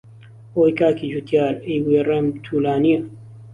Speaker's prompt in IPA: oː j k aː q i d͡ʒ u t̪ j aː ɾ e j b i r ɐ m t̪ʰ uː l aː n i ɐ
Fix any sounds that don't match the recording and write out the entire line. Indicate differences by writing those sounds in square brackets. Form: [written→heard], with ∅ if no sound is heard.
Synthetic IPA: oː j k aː [q→k] i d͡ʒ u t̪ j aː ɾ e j [b→w] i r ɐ m t̪ʰ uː l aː n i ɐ